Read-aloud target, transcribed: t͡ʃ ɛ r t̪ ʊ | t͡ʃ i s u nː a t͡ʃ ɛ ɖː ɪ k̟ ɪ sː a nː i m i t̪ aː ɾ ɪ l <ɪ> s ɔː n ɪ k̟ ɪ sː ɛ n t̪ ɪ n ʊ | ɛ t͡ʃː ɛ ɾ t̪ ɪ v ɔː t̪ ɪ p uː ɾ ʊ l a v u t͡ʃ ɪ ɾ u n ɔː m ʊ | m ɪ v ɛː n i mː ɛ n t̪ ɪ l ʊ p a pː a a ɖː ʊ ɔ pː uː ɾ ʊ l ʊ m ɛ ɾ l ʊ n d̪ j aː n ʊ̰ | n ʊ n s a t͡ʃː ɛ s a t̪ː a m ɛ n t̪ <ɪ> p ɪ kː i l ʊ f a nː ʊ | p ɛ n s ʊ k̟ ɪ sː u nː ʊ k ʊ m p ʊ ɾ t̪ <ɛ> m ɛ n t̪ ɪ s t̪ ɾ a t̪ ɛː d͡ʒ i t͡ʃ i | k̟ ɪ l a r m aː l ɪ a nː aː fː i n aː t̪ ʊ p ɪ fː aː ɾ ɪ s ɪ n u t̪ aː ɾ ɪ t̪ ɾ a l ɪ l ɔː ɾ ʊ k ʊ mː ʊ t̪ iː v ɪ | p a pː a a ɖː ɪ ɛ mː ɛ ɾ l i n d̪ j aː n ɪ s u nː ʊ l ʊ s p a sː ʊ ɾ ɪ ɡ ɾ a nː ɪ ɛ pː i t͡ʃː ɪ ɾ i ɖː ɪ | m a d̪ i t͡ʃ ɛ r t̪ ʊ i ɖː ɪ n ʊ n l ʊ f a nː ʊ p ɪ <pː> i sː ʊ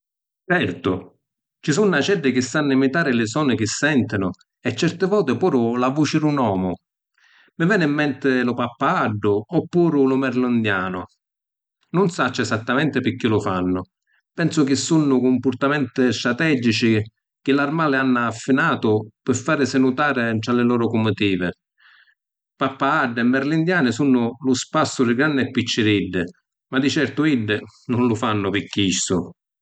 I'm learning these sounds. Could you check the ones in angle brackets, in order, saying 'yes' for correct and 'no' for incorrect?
yes, yes, no, no

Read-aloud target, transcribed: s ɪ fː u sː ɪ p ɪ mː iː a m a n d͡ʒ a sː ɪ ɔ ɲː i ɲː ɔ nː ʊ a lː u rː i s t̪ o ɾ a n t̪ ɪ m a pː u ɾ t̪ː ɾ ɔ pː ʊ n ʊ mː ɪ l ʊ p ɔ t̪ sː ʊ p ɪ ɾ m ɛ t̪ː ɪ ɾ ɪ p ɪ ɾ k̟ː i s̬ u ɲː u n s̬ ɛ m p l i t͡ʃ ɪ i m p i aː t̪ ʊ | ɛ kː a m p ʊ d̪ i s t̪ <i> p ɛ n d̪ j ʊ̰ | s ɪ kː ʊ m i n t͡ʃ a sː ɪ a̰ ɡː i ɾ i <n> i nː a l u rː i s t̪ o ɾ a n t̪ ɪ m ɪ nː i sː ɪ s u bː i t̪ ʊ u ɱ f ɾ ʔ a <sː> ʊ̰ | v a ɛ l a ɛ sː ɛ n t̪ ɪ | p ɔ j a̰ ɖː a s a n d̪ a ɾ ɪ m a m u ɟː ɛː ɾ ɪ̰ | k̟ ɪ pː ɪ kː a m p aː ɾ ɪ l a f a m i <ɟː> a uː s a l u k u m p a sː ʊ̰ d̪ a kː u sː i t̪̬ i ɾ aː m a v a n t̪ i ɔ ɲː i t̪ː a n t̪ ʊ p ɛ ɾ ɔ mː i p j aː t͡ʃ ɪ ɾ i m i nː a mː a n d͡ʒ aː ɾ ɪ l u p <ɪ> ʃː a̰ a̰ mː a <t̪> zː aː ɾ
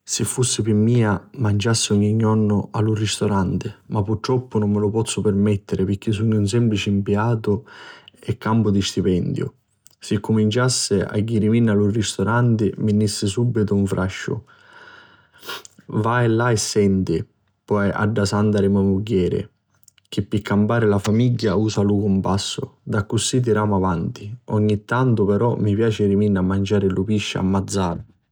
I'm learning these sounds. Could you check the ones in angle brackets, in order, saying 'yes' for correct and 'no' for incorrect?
yes, no, no, yes, no, no

